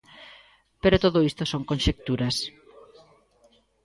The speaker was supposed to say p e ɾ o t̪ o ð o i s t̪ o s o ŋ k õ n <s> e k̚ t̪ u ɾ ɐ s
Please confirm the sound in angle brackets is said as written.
no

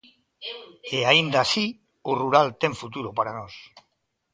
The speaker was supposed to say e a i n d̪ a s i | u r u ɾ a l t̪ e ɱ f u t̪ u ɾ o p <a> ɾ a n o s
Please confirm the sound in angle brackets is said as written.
yes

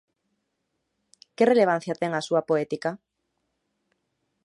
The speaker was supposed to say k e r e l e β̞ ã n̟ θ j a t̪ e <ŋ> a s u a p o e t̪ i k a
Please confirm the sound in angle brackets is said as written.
yes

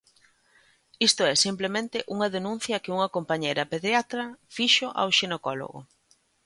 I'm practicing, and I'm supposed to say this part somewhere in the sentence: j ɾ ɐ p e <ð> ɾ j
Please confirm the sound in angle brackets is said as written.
yes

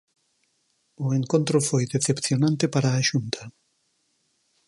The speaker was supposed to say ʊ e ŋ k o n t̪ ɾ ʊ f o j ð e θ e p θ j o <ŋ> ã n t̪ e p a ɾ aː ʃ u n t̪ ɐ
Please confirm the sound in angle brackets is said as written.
no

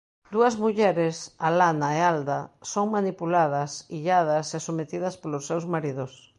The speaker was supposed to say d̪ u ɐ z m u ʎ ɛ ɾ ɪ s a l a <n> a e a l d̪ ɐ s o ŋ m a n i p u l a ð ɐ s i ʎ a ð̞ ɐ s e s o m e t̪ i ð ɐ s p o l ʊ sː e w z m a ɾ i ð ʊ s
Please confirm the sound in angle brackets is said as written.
yes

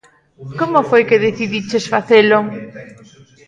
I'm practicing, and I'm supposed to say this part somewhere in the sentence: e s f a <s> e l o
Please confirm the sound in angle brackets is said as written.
no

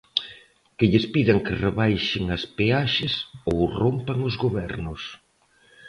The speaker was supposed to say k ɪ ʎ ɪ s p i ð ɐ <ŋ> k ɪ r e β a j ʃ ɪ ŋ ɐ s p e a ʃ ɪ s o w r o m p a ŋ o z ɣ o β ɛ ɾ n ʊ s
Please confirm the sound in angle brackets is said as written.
yes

